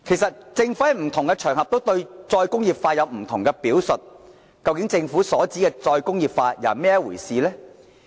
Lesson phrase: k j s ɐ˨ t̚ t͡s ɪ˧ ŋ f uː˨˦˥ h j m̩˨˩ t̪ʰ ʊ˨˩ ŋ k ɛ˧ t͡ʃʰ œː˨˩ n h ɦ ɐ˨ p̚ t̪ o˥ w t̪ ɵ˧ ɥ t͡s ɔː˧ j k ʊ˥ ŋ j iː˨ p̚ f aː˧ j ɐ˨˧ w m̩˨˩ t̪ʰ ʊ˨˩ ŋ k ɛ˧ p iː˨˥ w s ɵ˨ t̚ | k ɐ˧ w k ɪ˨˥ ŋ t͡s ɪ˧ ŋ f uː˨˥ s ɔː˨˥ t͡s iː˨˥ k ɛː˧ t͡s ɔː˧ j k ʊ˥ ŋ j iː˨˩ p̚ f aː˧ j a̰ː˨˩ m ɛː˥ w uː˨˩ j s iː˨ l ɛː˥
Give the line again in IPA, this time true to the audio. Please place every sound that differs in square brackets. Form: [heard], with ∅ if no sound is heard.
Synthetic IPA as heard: [kʰ] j s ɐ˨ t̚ t͡s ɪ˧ ŋ f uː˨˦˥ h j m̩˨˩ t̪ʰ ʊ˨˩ ŋ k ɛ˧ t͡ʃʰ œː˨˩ [ŋ] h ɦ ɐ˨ p̚ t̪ o˥ w t̪ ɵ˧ ɥ t͡s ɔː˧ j k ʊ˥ ŋ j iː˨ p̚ f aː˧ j ɐ˨˧ w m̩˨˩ t̪ʰ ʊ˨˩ ŋ k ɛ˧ p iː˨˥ w s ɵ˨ t̚ | k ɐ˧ w k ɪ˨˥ ŋ t͡s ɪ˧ ŋ f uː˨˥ s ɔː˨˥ t͡s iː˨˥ k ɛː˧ t͡s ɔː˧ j k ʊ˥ ŋ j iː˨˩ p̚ f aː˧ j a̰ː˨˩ m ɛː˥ w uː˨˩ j s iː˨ l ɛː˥